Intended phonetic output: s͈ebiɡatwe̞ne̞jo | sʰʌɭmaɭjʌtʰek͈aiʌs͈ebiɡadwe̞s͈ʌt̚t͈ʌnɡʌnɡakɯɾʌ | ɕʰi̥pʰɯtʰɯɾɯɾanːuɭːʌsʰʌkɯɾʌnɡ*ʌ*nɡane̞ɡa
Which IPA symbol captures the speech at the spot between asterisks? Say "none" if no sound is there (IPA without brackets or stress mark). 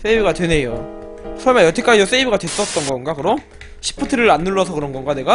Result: ʌ